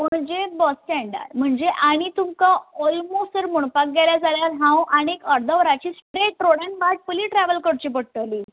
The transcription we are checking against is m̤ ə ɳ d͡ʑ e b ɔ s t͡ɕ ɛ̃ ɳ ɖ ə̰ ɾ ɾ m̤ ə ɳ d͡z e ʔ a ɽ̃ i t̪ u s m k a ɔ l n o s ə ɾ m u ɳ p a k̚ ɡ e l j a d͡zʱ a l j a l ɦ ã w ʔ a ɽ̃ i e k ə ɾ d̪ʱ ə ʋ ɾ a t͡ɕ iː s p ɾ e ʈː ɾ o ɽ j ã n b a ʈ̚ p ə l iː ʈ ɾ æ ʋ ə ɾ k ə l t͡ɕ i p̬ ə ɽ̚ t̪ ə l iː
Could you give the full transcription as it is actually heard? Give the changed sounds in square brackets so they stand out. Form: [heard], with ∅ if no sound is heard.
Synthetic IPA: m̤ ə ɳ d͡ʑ e b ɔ s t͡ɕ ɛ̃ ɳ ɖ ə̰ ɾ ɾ m̤ ə ɳ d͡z e ʔ a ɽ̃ i t̪ u [∅] m k a ɔ l [m] o s ə ɾ m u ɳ p a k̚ ɡ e l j a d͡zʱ a l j a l ɦ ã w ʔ a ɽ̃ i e k ə ɾ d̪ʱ ə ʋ ɾ a t͡ɕ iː s p ɾ e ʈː ɾ o ɽ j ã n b a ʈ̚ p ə l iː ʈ ɾ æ ʋ ə [l] k ə [ɽ] t͡ɕ i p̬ ə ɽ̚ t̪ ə l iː